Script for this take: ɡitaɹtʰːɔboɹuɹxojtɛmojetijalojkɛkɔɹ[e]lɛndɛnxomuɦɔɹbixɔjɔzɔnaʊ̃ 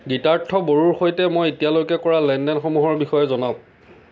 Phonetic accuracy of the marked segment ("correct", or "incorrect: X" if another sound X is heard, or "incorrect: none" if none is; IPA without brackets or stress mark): incorrect: a